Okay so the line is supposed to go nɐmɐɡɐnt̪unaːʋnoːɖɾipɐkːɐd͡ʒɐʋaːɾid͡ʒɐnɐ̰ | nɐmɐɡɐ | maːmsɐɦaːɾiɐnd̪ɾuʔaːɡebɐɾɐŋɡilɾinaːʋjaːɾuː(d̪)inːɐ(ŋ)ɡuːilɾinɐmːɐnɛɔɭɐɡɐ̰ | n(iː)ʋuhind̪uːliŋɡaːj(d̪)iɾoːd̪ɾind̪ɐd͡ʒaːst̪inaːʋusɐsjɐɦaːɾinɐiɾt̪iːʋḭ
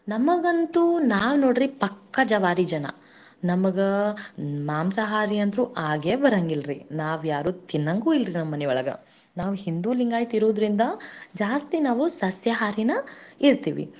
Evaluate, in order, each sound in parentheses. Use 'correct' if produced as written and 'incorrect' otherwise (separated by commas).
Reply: incorrect, correct, incorrect, incorrect